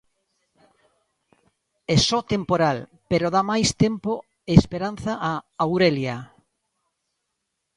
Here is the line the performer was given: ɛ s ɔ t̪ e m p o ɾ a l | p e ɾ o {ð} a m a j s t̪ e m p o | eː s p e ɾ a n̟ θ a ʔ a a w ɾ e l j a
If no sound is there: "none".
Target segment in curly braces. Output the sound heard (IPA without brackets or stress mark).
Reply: ð